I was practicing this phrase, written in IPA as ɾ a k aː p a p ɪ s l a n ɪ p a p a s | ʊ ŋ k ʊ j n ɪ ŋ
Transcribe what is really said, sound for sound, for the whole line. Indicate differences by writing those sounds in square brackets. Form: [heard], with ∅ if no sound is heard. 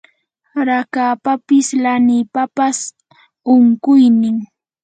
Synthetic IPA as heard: ɾ a k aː p a p ɪ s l a n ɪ p a p a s | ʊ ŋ k ʊ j n ɪ ŋ